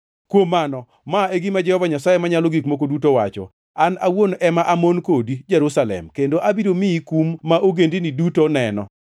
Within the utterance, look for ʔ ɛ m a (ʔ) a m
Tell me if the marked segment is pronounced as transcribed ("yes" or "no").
yes